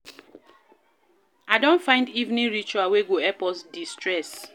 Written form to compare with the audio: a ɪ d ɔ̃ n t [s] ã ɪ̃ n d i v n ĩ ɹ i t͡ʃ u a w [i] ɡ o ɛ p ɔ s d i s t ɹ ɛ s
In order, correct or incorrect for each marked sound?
incorrect: f, incorrect: e

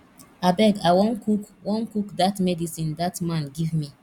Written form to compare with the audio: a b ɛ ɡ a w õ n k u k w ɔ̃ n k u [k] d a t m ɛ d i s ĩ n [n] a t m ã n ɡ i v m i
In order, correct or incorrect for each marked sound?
correct, incorrect: d

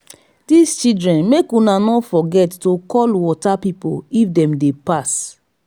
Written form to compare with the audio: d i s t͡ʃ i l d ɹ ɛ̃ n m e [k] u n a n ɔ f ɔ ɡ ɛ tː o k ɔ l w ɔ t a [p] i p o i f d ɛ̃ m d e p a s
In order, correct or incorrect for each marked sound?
correct, correct

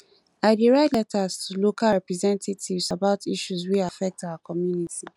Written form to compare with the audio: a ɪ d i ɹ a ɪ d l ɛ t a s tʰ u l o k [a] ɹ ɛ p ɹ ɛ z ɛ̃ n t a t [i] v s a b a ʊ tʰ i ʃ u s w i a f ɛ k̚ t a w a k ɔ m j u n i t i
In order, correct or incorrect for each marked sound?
correct, correct

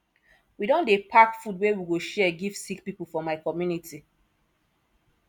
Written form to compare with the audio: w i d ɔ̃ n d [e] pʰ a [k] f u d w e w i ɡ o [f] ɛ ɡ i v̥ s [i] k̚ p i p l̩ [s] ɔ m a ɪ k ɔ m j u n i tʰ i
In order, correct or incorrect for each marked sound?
correct, correct, incorrect: ʃ, correct, incorrect: f

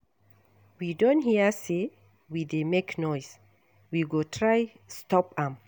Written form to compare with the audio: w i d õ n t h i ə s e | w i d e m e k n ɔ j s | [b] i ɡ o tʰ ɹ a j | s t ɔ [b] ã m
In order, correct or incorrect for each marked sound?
incorrect: w, incorrect: p

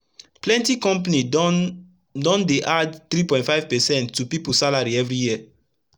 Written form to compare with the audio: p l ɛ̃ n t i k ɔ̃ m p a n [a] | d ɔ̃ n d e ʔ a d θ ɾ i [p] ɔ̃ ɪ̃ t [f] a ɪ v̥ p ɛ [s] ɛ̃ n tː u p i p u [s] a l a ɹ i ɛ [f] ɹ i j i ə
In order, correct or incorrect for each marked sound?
incorrect: i, correct, correct, correct, correct, incorrect: v

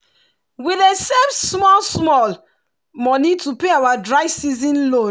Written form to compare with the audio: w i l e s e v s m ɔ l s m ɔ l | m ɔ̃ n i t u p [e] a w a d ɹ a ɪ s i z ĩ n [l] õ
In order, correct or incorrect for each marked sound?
correct, correct

